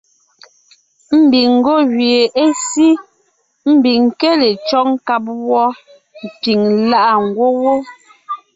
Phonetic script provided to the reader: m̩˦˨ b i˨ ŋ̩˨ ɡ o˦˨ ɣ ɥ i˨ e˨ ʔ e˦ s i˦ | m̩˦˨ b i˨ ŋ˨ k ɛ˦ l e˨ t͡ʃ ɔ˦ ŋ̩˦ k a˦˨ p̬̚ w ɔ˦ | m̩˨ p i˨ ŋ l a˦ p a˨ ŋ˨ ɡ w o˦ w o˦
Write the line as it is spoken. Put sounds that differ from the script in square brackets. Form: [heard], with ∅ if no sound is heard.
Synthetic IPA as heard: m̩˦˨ b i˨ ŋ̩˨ ɡ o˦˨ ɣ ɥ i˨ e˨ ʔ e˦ s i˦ | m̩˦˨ b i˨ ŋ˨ k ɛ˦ l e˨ t͡ʃ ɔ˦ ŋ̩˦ k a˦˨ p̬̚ w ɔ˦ | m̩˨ p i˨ ŋ l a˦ [ʔ] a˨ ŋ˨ ɡ w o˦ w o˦